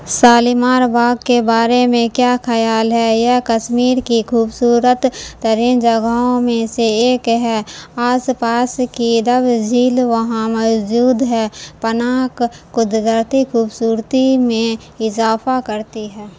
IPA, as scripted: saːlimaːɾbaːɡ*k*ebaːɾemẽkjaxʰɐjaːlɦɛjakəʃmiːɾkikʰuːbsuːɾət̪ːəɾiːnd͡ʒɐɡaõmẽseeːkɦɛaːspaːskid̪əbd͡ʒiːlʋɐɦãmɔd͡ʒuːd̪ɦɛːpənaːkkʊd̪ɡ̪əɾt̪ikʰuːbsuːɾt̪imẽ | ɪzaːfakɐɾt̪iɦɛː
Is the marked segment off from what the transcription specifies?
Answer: no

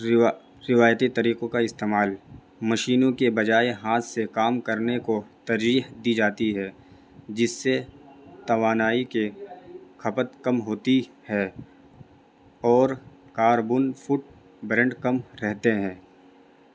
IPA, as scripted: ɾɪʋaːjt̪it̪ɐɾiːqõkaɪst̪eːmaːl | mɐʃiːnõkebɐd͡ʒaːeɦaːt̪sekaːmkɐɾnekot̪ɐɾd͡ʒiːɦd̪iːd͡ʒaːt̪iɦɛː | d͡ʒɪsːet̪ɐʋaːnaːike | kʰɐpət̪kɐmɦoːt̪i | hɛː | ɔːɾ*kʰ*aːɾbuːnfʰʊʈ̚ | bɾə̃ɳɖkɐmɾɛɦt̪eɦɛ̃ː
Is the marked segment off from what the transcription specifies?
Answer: yes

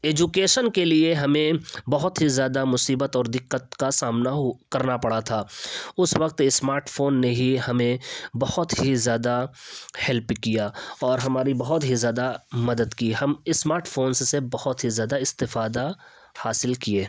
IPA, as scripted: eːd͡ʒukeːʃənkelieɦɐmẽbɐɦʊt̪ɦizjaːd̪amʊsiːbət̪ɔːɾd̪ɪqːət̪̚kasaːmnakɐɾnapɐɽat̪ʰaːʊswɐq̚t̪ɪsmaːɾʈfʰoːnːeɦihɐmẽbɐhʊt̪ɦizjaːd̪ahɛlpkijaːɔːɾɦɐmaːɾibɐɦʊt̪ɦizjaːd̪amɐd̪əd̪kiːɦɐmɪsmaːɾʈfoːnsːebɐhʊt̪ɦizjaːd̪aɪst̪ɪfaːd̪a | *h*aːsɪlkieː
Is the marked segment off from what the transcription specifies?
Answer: no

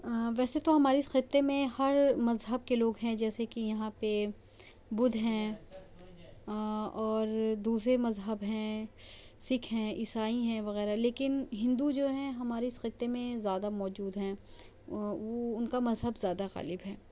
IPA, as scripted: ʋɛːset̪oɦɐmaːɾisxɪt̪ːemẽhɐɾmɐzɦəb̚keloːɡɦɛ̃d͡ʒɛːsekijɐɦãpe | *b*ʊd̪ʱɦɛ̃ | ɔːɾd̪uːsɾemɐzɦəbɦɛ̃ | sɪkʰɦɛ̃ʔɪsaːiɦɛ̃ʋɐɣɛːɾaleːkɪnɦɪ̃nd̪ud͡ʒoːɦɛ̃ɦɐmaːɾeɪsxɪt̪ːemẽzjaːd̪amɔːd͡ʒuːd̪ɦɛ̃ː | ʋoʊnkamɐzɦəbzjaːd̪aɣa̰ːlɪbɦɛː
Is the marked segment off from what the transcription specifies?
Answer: no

